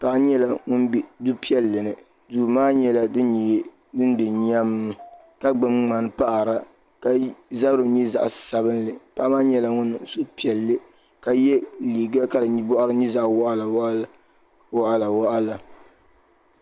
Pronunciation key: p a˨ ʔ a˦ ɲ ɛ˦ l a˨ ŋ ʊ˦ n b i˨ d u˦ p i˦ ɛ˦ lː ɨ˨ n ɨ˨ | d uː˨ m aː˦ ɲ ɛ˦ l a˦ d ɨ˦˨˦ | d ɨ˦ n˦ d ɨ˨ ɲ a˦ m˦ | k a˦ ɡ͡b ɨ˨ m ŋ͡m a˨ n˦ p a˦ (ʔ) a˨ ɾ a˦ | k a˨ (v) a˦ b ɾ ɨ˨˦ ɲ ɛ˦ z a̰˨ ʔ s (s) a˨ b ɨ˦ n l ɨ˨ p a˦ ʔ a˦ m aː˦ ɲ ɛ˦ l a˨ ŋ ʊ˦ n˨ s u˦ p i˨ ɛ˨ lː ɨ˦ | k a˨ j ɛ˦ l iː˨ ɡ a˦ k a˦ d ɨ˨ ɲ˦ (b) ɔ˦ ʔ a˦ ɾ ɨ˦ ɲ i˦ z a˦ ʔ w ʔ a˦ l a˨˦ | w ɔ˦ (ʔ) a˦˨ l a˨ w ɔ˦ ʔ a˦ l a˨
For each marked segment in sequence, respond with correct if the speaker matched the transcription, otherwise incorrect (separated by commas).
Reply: correct, incorrect, correct, correct, correct